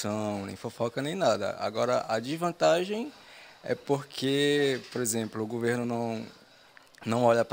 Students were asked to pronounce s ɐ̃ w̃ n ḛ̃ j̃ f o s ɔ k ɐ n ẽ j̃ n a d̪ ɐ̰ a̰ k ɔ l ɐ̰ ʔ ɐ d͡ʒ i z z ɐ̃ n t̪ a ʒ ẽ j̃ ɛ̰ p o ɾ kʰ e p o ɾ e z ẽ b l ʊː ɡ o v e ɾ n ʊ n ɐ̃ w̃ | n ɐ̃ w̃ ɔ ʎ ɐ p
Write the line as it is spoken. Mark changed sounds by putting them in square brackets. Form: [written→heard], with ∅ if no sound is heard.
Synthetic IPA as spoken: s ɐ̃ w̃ n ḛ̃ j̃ f o [s→f] ɔ k ɐ n ẽ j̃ n a d̪ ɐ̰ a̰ [k→ɡ] ɔ [l→ɾ] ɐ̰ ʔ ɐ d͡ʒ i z [z→v] ɐ̃ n t̪ a ʒ ẽ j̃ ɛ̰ p o ɾ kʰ e p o ɾ e z ẽ [b→p] l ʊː ɡ o v e ɾ n ʊ n ɐ̃ w̃ | n ɐ̃ w̃ ɔ ʎ ɐ p